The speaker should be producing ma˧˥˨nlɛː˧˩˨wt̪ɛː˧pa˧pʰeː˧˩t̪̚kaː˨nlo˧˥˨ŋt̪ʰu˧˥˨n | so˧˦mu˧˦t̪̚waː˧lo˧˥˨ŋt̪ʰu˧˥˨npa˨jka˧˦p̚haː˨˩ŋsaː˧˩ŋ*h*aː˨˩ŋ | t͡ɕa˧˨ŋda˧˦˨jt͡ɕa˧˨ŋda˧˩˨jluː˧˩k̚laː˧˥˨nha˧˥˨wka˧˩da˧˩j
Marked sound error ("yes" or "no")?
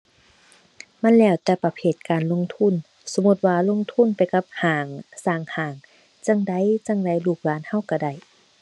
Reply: no